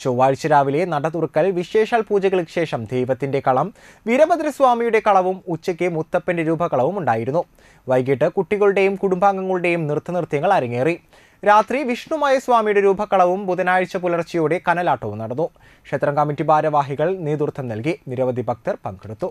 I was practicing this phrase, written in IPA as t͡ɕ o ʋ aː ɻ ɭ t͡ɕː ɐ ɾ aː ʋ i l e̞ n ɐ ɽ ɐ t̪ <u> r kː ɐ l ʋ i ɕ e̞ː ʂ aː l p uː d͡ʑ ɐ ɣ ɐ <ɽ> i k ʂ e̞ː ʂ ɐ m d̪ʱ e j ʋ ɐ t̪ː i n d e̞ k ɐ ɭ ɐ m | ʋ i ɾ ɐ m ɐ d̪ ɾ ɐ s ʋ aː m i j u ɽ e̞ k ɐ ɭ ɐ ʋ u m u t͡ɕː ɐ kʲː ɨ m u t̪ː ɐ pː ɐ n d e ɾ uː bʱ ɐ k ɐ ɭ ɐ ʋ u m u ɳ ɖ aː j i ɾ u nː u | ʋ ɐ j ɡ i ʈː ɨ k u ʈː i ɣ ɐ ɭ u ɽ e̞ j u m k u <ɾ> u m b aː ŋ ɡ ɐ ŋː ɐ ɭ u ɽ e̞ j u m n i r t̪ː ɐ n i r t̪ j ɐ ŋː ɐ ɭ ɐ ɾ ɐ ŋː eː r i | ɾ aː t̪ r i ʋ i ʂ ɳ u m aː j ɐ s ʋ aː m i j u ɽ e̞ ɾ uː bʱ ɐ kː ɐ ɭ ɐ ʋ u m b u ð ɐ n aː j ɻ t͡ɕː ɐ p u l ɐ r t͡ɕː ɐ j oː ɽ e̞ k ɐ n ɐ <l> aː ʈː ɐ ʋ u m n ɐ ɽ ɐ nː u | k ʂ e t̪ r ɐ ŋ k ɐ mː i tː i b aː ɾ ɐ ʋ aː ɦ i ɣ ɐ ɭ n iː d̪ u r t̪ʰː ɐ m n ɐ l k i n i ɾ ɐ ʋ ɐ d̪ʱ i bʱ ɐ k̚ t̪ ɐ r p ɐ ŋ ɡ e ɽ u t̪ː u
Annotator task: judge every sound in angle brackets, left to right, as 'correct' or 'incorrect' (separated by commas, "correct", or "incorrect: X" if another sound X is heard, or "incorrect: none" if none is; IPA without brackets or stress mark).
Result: correct, incorrect: ɭ, incorrect: ɽ, correct